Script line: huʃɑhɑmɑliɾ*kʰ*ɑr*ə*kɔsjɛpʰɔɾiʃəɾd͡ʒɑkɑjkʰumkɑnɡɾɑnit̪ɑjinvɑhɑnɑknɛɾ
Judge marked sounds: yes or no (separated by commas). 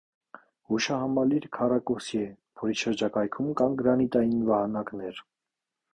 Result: yes, no